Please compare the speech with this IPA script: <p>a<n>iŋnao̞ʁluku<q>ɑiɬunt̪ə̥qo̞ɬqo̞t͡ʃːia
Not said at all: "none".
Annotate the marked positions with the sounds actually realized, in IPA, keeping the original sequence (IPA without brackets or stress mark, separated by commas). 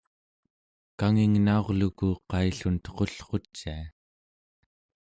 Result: k, ŋ, q